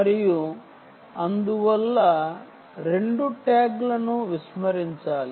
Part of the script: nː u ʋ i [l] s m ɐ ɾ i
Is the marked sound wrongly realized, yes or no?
yes